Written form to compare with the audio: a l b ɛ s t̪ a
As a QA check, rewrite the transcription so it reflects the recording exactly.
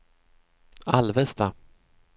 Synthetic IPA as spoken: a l v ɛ s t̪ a

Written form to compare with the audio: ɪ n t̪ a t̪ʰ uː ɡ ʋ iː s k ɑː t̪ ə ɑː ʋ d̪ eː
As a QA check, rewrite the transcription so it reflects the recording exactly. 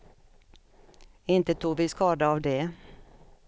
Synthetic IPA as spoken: ɪ n t̪ ə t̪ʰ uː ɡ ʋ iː s k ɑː d̪ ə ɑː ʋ d̪ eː

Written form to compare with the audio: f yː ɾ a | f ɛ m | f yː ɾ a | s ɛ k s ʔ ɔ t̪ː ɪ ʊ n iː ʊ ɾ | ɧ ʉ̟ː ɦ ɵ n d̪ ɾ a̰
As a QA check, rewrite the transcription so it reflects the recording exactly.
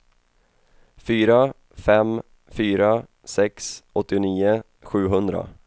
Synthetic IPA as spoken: f yː ɾ a | f ɛ m | f yː ɾ a | s ɛ k s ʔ ɔ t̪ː ɪ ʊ n iː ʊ | ɧ ʉ̟ː ɦ ɵ n d̪ ɾ a̰

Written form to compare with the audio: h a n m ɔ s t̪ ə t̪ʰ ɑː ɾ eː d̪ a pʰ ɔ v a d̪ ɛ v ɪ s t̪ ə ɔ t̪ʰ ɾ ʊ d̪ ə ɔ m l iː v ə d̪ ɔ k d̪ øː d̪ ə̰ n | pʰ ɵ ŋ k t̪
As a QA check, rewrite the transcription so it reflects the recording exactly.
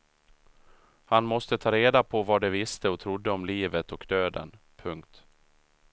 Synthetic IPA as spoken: h a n m ɔ s t̪ ə t̪ʰ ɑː ɾ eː d̪ a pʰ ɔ v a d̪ ɛ v ɪ s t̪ ə ɔ t̪ʰ ɾ ʊ d̪ː ə ɔ m l iː v ə t̪ ɔ k d̪ øː d̪ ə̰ n | pʰ ɵ ŋ k t̪

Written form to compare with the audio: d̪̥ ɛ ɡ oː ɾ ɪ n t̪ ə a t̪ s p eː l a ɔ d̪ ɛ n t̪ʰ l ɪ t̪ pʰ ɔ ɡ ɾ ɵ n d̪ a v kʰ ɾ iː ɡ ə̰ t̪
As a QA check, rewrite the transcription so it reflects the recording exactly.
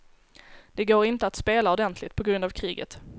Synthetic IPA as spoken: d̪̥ ɛ ɡ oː ɾ ɪ n t̪ ə a t̪ s p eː l a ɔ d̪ ɛ n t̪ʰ l ɪ t̪ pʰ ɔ ɡ ɾ ɵ n d̪ a v kʰ ɾ iː ɡ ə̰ t̪

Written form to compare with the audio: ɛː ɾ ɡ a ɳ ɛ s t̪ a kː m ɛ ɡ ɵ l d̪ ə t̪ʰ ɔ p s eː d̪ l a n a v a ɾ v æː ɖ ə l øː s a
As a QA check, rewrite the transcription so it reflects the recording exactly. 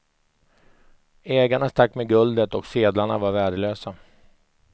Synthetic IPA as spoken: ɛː ɡ a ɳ a s t̪ a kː m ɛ ɡ ɵ l d̪ ə t̪ ɔ k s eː d̪ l a ɳ a v a ɾ v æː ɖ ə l øː s a

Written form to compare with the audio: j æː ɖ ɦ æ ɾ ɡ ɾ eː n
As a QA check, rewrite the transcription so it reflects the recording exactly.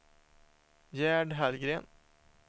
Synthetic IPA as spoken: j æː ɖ ɦ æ l ɡ ɾ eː n

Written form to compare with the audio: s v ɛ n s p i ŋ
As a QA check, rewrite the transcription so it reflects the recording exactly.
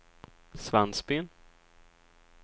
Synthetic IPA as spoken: s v a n s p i n

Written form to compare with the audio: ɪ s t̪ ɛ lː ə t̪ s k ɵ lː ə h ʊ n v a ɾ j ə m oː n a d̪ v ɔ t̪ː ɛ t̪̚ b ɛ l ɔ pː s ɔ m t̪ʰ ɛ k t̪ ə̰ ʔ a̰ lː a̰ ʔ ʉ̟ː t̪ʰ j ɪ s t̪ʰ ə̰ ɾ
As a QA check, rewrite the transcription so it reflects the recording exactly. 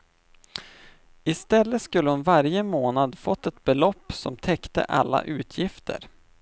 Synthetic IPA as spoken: ɪ s t̪ ɛ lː ə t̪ s k ɵ lː ə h ʊ n v a ɾ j ə m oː n a d̪ f ɔ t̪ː ɛ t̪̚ b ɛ l ɔ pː s ɔ m t̪ʰ ɛ k t̪ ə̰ ʔ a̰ lː a̰ ʔ ʉ̟ː t̪ʰ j ɪ f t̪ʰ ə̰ ɾ

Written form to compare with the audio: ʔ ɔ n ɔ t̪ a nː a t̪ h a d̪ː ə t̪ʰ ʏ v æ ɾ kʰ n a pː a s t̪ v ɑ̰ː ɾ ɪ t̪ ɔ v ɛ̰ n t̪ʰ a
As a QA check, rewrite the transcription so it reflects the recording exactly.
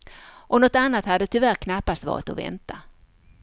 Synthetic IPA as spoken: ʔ ɔ n ɔ t̪ a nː a t̪ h a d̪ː ə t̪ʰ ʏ v æ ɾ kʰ n a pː a s t̪ v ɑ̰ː ɾ ɪ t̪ ɔ v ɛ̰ n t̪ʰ a

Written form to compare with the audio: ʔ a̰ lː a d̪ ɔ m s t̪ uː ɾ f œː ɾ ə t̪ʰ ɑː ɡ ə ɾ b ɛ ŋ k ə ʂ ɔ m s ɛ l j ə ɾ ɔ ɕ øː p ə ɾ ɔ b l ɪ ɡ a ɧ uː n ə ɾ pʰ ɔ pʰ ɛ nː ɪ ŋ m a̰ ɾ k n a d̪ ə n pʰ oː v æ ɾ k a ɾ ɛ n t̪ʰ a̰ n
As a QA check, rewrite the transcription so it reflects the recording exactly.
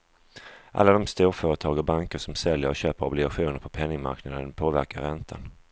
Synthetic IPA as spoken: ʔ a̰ lː a d̪ ɔ m s t̪ uː ɾ f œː ɾ ə t̪ʰ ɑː ɡ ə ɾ b a ŋ k ə ʂ ɔ m s ɛ l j ə ɾ ɔ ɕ øː p ə ɾ ɔ b l ɪ ɡ a ɧ uː n ə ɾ pʰ ɔ pʰ ɛ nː ɪ ŋ m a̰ ɾ k n a d̪ ə n pʰ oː v æ ɾ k a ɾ ɛ n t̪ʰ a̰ n

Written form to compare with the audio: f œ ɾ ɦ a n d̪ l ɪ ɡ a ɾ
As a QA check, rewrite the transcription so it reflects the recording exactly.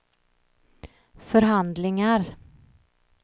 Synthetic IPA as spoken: f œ ɾ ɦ a n d̪ l ɪ ŋ a ɾ

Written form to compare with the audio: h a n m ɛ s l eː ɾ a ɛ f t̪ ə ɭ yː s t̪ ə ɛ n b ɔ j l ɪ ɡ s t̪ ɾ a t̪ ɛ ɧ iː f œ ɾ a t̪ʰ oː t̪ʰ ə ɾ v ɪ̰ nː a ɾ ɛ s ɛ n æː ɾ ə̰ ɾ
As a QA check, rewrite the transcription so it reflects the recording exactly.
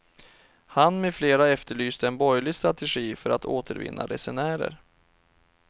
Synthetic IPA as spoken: h a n m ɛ f l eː ɾ a ɛ f t̪ ə ɭ yː s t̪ ə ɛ n b ɔ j l ɪ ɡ s t̪ ɾ a t̪ ɛ ɧ iː f œ ɾ a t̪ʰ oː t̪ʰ ə ɾ v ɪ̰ nː a ɾ ɛ s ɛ n æː ɾ ə̰ ɾ

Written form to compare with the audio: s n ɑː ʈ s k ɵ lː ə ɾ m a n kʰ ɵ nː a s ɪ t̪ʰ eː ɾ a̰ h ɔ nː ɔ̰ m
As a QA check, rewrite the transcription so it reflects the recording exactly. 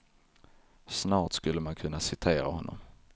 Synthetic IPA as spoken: s n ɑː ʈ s k ɵ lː ə m a n kʰ ɵ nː a s ɪ t̪ʰ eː ɾ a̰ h ɔ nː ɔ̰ m

